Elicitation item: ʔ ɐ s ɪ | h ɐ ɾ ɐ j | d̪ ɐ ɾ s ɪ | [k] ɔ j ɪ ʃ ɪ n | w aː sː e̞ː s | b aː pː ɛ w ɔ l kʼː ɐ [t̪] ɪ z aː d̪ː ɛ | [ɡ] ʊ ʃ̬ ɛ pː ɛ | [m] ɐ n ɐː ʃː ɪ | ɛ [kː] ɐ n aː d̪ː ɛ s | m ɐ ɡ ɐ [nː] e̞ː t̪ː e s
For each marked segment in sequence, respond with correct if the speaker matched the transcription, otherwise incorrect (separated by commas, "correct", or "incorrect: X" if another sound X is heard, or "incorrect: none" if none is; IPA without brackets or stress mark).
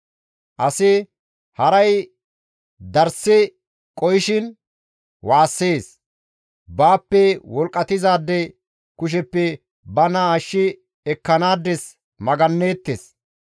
incorrect: kʼ, correct, incorrect: k, incorrect: b, correct, correct